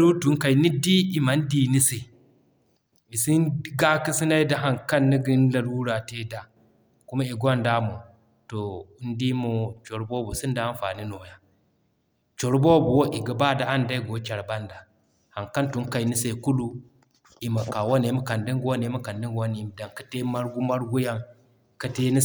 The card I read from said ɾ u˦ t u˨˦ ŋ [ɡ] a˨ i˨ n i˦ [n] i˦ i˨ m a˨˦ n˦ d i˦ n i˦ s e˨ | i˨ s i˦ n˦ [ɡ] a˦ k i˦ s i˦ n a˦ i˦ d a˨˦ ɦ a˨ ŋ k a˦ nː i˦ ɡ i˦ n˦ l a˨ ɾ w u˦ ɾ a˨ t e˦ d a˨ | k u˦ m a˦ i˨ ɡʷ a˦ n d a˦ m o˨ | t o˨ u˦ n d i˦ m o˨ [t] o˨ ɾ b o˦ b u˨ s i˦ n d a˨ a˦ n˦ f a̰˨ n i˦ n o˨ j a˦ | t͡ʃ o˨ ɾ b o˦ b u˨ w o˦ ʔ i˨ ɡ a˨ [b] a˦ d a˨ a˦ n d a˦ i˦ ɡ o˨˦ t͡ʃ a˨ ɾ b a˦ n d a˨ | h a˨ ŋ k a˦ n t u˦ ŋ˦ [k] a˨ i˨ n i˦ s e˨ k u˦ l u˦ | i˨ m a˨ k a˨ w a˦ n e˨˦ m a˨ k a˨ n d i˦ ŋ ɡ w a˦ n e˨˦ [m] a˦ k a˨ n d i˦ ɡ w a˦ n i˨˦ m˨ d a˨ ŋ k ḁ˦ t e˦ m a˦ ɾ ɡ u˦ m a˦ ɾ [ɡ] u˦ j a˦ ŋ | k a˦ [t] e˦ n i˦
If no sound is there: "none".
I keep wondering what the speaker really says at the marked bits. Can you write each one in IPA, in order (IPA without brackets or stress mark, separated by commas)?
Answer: k, d, ɡ, t͡ʃ, b, k, m, ɡ, t